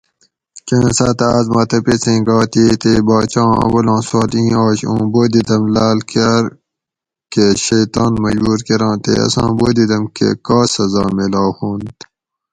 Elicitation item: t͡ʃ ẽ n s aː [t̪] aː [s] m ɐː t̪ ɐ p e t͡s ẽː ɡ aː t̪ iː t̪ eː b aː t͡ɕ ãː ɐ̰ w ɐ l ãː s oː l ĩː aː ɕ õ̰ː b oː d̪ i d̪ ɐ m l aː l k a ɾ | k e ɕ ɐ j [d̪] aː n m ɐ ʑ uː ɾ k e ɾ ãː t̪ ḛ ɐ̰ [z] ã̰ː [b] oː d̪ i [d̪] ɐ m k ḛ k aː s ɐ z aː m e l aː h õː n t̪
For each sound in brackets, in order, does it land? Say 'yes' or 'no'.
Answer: yes, no, no, no, yes, yes

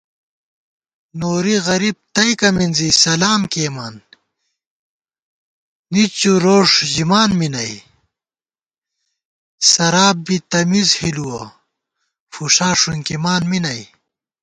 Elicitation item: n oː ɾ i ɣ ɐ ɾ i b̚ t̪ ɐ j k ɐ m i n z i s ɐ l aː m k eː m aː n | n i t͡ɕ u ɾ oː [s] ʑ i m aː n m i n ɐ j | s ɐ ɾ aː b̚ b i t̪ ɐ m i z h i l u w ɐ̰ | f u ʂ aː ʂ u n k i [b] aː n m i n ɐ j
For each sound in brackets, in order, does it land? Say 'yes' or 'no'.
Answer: no, no

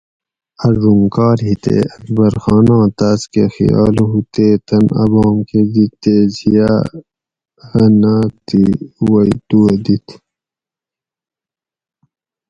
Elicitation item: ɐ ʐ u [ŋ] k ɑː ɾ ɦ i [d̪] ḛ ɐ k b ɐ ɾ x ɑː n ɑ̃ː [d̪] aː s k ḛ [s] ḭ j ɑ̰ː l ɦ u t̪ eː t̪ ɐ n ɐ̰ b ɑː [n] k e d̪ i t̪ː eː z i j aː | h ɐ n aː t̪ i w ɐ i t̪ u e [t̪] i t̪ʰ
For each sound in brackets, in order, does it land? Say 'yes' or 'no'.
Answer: yes, no, no, no, no, no

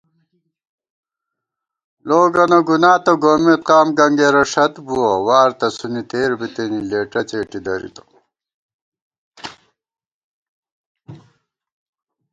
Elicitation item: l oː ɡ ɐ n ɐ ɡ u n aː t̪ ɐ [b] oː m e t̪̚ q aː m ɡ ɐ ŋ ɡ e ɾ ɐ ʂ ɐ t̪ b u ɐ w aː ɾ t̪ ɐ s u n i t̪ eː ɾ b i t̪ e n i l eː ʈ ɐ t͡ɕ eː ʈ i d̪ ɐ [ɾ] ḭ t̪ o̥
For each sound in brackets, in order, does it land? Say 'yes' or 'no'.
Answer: no, yes

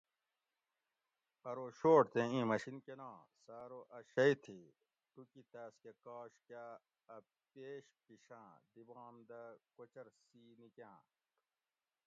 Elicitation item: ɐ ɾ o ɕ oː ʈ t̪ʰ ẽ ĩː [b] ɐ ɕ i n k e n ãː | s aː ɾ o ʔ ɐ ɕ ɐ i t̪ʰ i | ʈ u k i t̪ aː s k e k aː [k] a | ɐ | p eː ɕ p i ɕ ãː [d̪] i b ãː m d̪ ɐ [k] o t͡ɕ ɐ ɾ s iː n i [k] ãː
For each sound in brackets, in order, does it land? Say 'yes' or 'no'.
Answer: no, yes, yes, yes, yes

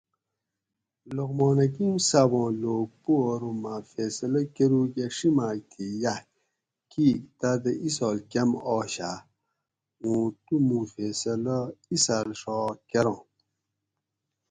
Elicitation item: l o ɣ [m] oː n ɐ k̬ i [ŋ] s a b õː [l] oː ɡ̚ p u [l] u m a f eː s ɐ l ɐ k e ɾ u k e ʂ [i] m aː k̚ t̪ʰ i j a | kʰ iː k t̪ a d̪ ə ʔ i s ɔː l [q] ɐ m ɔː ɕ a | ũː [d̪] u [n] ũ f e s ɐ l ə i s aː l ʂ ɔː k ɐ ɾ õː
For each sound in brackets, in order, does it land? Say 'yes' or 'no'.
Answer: yes, no, yes, no, yes, no, no, no

